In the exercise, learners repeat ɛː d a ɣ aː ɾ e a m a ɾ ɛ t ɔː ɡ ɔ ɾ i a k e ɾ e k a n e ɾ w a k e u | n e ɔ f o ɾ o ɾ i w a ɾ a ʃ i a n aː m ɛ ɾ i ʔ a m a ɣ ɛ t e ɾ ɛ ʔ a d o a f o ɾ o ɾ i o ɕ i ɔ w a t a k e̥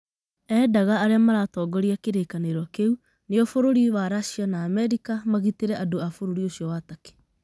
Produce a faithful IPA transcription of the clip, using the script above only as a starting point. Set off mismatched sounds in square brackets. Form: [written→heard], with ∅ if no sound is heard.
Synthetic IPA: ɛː d a ɣ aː ɾ e a m a ɾ [ɛ→a] t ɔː ɡ ɔ ɾ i a k e ɾ e k a n e ɾ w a k e u | n e ɔ f o ɾ o ɾ i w a ɾ a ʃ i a n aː m ɛ ɾ i [ʔ→k] a m a ɣ [ɛ→i] t e ɾ ɛ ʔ a d o a f o ɾ o ɾ i o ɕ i ɔ w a t a k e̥